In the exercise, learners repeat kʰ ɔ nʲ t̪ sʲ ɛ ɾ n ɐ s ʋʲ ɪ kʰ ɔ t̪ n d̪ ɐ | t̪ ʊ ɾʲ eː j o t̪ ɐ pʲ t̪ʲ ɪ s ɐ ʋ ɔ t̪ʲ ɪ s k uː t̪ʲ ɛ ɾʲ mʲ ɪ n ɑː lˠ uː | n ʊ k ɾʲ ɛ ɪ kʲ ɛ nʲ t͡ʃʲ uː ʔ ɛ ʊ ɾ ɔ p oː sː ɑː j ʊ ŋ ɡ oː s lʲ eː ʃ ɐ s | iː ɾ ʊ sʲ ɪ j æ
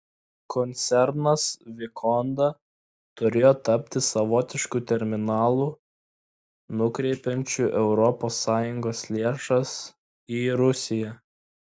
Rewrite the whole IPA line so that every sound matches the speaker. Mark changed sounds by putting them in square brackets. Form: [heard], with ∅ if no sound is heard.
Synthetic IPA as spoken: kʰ ɔ nʲ t̪ sʲ ɛ ɾ n ɐ s ʋʲ ɪ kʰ ɔ [∅] n d̪ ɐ | t̪ ʊ ɾʲ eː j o t̪ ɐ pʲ t̪ʲ ɪ s ɐ ʋ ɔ t̪ʲ ɪ [ʃ] k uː t̪ʲ ɛ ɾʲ mʲ ɪ n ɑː lˠ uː | n ʊ k ɾʲ ɛ ɪ [pʲ] ɛ nʲ t͡ʃʲ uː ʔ ɛ ʊ ɾ ɔ p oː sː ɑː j ʊ ŋ ɡ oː s lʲ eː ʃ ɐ s | iː ɾ ʊ sʲ ɪ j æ